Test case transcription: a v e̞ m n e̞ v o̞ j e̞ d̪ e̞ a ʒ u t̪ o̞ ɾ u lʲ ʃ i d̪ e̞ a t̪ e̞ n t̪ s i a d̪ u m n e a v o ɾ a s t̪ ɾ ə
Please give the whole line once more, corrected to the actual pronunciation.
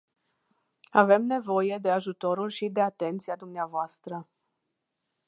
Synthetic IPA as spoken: a v e̞ m n e̞ v o̞ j e̞ d̪ e̞ a ʒ u t̪ o̞ ɾ u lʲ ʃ i d̪ e̞ a t̪ e̞ n t̪ s i a d̪ u m n e a v o a s t̪ ɾ ə